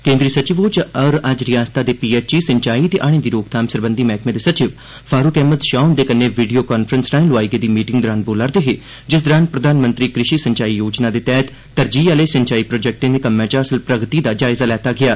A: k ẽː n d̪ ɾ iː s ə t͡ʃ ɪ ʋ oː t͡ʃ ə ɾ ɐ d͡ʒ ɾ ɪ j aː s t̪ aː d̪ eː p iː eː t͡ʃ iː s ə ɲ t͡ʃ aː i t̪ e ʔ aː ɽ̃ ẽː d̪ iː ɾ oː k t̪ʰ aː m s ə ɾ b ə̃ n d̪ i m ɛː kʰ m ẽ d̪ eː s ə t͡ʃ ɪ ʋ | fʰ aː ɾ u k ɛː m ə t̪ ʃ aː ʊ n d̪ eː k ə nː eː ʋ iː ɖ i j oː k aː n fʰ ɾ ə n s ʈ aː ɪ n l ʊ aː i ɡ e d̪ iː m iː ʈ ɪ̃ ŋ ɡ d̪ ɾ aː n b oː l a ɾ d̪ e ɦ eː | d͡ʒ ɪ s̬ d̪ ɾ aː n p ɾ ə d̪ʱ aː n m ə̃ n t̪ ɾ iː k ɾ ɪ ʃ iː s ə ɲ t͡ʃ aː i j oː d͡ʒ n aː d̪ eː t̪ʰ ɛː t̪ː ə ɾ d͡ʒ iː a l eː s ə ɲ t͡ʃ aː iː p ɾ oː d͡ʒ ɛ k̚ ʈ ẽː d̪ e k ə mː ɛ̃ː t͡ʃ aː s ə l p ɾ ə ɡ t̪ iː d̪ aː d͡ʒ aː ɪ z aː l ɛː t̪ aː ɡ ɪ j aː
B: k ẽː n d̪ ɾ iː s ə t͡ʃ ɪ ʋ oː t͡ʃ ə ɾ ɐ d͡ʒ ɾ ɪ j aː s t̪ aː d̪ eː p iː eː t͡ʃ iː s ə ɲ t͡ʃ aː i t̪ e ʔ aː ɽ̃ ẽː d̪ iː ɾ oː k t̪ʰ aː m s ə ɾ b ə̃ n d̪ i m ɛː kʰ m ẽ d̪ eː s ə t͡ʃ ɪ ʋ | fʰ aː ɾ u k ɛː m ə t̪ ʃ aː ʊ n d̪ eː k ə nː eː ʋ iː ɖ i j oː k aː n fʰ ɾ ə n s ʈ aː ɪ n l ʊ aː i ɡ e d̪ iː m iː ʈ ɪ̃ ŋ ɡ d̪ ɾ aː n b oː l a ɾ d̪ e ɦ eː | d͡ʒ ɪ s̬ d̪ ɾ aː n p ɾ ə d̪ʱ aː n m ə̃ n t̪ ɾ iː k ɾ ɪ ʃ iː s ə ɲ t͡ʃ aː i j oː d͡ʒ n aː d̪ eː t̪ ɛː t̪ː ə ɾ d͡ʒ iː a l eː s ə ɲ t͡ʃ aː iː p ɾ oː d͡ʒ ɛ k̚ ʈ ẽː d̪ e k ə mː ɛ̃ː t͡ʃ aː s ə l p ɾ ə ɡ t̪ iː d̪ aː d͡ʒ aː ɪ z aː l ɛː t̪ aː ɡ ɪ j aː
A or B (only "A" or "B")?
B